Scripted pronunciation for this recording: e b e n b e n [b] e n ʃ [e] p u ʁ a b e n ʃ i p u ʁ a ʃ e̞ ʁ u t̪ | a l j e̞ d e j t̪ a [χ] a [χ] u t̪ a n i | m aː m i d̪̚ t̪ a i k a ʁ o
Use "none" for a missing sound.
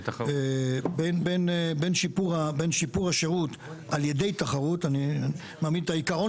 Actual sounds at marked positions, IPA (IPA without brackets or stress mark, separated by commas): b, i, χ, ʁ